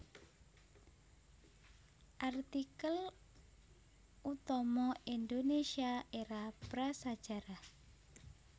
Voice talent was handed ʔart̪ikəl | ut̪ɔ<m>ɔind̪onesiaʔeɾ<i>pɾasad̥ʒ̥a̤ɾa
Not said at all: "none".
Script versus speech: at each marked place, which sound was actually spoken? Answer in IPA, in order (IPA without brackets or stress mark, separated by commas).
m, a